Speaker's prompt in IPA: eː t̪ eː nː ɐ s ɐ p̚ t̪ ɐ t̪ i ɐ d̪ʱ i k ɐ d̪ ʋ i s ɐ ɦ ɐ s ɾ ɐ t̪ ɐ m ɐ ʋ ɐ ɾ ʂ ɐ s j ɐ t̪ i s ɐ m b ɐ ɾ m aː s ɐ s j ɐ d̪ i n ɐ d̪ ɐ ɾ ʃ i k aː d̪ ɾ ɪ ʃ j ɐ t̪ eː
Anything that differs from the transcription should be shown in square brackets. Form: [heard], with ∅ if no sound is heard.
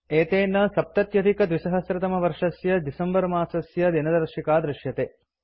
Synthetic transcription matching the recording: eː t̪ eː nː ɐ s ɐ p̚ t̪ ɐ t̪ [j] ɐ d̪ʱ i k ɐ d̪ ʋ i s ɐ ɦ ɐ s ɾ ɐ t̪ ɐ m ɐ ʋ ɐ ɾ ʂ ɐ s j ɐ [d̪] i s ɐ m b ɐ ɾ m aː s ɐ s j ɐ d̪ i n ɐ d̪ ɐ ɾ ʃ i k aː d̪ ɾ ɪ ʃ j ɐ t̪ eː